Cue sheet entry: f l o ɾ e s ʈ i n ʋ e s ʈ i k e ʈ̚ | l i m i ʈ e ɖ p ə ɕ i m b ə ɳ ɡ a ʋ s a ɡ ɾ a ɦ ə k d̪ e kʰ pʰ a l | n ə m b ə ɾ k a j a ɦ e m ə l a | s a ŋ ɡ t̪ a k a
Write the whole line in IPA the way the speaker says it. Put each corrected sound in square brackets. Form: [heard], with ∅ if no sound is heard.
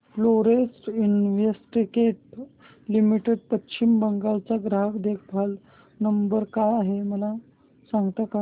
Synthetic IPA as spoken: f l o ɾ e s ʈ i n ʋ e s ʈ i k e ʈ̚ | l i m i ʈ e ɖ p ə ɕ i m b ə [ŋ] ɡ a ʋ [t͡s] a ɡ ɾ a ɦ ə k d̪ e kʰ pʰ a l | n ə m b ə ɾ k a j a ɦ e m ə l a | s a ŋ ɡ t̪ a k a